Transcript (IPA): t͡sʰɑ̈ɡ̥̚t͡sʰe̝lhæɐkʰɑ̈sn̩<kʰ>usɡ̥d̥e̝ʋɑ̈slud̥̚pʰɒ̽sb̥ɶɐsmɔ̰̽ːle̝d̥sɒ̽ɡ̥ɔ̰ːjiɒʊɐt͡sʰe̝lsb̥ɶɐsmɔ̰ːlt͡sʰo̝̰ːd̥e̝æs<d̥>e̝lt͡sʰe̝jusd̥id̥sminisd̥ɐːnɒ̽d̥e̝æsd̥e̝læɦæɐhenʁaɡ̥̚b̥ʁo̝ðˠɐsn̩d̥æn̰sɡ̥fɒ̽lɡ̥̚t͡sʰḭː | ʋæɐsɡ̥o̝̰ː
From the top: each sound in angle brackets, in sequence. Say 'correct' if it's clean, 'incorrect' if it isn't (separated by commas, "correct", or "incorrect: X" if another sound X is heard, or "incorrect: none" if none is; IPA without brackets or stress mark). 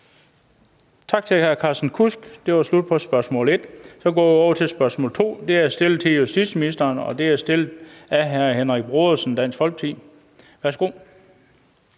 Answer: correct, correct